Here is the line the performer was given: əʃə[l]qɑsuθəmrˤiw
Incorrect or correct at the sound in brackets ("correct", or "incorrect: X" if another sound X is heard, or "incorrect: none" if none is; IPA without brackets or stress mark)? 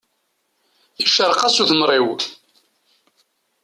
incorrect: ɾ